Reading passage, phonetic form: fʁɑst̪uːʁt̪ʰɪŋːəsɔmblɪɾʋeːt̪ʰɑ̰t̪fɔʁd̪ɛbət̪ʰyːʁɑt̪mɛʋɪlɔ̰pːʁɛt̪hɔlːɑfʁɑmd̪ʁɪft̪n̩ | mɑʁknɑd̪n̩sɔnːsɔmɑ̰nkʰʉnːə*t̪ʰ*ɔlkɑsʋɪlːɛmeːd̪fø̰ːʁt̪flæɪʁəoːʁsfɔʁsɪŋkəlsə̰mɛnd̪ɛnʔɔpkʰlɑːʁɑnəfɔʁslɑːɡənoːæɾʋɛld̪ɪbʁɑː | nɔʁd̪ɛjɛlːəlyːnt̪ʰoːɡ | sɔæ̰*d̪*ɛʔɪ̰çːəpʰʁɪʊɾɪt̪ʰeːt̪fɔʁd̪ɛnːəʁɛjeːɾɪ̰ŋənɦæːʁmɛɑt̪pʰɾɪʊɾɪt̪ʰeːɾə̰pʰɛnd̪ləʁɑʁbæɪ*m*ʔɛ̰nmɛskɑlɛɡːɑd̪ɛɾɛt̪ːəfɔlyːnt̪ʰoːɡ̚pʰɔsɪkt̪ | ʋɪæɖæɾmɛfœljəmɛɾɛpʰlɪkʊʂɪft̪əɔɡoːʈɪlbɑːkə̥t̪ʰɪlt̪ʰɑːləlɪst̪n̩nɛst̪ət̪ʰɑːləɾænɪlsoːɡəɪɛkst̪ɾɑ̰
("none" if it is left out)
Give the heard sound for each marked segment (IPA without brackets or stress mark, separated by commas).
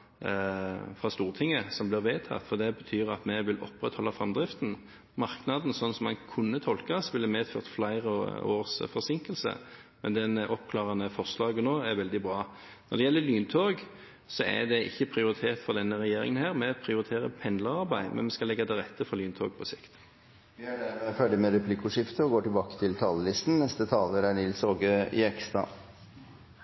t̪ʰ, d̪, m